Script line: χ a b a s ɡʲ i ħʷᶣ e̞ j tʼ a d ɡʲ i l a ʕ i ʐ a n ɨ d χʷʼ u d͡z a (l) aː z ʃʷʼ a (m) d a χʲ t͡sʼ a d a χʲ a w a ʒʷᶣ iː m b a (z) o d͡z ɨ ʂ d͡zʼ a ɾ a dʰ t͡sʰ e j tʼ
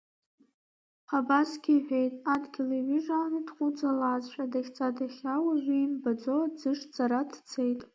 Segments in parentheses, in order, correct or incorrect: correct, incorrect, incorrect

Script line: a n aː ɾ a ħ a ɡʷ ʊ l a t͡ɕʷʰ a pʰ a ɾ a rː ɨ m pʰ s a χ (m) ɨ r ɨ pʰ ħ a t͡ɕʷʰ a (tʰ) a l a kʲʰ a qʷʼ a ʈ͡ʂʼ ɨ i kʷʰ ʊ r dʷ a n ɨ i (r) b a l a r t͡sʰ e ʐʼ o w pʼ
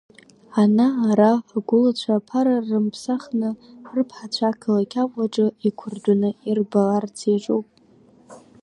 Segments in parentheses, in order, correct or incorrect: incorrect, incorrect, correct

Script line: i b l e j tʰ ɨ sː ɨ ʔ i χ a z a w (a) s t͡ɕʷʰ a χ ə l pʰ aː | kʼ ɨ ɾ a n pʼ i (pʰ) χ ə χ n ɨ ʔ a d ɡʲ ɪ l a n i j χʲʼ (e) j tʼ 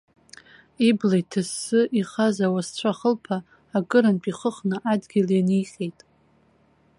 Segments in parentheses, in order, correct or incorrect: correct, incorrect, correct

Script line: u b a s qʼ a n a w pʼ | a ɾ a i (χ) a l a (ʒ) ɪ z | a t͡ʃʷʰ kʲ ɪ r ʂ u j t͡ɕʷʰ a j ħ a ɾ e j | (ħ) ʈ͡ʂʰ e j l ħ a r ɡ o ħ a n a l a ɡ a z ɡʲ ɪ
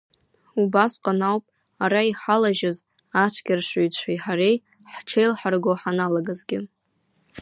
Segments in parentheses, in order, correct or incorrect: incorrect, correct, correct

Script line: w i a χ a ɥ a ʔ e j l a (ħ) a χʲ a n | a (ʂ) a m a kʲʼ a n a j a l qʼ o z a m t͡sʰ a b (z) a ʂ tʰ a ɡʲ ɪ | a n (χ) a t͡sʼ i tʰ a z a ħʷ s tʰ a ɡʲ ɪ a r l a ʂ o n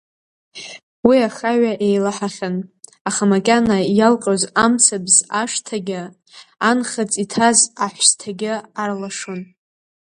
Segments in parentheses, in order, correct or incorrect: correct, incorrect, correct, correct

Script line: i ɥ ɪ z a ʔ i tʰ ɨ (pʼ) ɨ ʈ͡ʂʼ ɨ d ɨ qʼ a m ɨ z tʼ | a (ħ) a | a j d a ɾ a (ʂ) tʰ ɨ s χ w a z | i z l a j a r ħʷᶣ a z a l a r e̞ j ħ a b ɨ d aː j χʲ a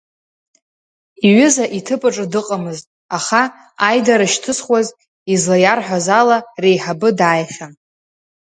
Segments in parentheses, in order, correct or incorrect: correct, incorrect, incorrect

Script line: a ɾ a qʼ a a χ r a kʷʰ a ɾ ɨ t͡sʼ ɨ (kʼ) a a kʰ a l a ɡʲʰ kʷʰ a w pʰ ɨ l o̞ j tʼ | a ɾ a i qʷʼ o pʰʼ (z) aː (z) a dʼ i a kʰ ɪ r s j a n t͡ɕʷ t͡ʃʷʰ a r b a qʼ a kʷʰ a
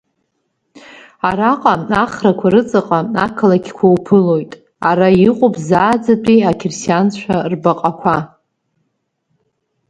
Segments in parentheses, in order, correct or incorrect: incorrect, correct, incorrect

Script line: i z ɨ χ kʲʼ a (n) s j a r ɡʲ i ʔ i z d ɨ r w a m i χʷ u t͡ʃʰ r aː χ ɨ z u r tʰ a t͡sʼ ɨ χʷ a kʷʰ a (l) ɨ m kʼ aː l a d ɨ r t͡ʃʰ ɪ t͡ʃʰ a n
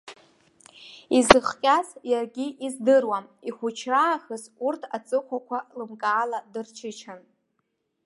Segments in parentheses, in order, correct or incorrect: incorrect, correct

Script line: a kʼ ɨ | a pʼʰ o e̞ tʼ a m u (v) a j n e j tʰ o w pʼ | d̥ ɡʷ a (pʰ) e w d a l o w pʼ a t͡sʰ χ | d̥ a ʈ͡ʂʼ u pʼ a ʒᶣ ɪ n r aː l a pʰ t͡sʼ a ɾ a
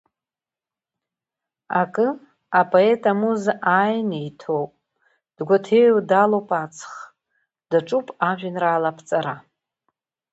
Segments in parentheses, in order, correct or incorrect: incorrect, incorrect

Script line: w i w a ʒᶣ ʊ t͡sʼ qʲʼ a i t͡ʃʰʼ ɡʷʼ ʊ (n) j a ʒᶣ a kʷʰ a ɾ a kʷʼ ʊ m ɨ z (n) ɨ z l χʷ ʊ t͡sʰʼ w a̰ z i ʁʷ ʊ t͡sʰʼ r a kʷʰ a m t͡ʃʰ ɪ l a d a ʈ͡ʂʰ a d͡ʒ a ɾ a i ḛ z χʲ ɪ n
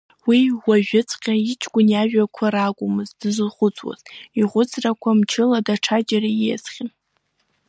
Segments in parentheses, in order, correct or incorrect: correct, incorrect

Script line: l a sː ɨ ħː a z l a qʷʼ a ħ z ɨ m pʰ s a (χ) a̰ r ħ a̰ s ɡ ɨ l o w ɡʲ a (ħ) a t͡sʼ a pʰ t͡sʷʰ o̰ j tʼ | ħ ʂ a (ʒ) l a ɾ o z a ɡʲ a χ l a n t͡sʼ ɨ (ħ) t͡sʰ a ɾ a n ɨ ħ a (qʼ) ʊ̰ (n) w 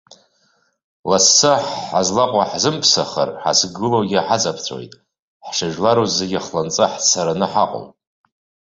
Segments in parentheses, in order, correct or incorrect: correct, correct, correct, correct, correct, incorrect

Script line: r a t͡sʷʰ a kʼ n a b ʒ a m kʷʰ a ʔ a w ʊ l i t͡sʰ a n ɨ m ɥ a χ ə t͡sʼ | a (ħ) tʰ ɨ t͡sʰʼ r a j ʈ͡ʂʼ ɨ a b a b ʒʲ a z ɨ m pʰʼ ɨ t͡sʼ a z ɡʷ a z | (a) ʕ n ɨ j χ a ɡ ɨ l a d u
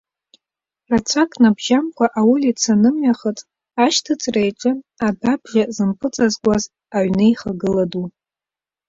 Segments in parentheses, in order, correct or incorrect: incorrect, correct

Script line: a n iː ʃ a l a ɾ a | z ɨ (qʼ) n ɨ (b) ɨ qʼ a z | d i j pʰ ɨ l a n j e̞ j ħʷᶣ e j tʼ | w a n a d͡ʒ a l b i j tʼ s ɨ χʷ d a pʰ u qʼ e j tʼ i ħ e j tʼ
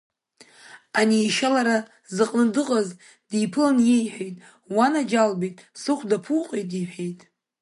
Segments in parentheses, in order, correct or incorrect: correct, incorrect

